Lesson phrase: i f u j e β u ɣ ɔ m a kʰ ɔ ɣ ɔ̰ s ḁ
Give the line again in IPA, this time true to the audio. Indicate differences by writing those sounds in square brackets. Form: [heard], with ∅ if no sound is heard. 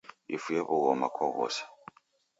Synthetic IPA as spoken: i f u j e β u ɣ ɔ m a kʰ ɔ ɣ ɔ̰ s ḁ